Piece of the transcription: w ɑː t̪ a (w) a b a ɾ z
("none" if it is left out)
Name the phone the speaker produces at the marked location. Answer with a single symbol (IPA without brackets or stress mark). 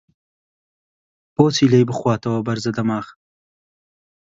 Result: w